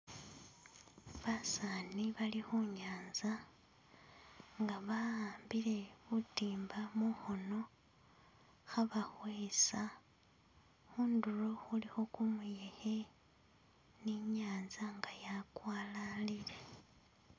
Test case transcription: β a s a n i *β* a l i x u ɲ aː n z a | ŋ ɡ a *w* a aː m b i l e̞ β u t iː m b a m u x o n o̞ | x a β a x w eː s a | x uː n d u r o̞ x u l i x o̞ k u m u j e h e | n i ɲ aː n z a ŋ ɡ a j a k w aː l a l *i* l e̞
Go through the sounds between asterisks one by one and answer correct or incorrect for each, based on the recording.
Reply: correct, incorrect: β, correct

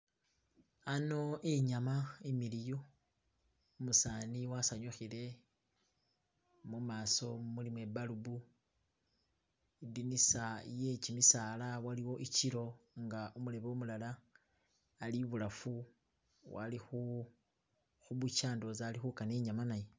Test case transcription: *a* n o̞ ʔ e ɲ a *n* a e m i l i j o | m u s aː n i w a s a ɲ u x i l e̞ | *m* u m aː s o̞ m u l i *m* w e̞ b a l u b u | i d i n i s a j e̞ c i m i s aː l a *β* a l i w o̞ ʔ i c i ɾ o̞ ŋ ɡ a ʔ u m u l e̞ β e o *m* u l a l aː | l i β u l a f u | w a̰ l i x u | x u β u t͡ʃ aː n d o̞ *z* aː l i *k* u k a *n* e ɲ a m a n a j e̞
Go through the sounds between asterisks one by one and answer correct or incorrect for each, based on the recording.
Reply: correct, incorrect: m, correct, correct, incorrect: w, correct, correct, incorrect: x, correct

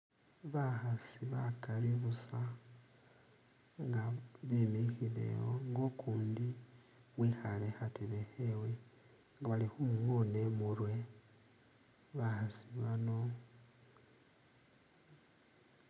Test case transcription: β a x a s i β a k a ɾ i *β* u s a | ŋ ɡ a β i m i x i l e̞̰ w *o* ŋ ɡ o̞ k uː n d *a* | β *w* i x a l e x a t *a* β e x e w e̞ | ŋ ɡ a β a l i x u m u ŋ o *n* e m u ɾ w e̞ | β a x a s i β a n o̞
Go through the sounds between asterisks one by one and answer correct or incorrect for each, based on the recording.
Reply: correct, correct, incorrect: i, correct, incorrect: e, correct

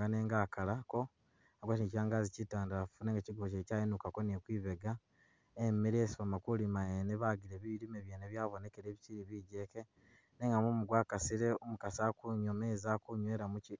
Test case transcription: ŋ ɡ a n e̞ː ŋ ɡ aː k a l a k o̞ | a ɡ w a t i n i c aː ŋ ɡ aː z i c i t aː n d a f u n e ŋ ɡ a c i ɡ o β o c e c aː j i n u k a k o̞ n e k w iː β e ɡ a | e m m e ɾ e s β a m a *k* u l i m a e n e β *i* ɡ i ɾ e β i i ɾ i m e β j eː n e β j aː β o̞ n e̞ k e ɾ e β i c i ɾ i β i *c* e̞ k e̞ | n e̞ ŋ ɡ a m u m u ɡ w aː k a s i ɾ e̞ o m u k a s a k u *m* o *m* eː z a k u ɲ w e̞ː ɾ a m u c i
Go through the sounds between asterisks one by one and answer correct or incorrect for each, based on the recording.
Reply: correct, incorrect: a, incorrect: ɟ, incorrect: ɲ, correct

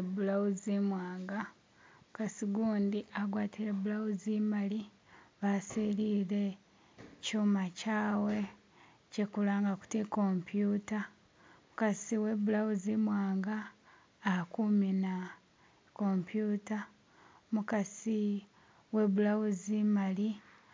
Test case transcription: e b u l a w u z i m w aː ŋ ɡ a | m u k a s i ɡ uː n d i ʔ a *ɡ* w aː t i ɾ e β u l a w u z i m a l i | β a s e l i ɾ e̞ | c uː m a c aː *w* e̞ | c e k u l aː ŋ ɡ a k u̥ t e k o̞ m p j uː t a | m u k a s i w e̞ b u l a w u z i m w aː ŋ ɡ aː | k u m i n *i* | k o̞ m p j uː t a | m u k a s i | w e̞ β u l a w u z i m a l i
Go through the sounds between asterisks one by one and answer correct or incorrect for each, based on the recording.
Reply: correct, correct, incorrect: a

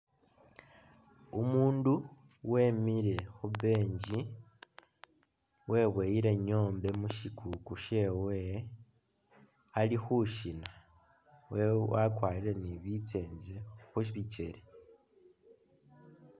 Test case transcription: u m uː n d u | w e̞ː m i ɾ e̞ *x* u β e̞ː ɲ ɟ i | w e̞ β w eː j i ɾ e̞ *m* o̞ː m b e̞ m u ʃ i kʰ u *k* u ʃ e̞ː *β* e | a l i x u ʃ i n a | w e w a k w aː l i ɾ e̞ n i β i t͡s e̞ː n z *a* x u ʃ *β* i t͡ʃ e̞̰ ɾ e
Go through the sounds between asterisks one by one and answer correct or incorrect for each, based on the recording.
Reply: correct, incorrect: ɲ, correct, incorrect: w, incorrect: e, correct

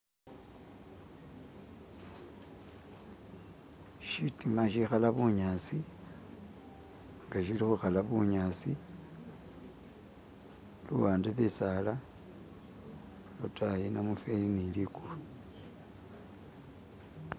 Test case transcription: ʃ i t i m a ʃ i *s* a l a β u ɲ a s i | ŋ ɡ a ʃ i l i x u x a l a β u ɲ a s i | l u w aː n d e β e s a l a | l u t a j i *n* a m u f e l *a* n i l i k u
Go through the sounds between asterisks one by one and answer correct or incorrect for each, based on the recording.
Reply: incorrect: x, correct, incorrect: i

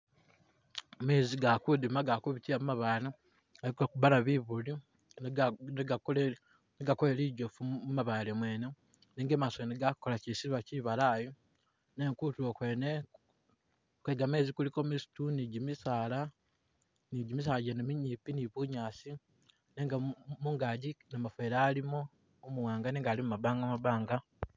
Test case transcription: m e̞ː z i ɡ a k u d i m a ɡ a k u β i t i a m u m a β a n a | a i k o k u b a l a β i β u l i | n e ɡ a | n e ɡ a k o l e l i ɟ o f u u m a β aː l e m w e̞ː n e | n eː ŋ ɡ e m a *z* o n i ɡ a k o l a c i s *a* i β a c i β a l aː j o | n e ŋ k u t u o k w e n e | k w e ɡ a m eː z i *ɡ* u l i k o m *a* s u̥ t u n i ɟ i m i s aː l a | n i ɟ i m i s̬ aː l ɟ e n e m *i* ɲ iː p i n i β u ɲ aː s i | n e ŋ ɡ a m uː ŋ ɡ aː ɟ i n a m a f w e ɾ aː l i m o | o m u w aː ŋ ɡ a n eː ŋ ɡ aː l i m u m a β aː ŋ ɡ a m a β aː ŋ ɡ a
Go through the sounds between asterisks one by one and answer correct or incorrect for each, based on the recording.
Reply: incorrect: s, incorrect: i, incorrect: k, incorrect: i, correct

